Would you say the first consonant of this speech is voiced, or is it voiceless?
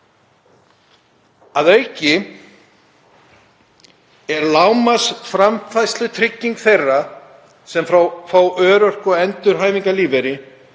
voiced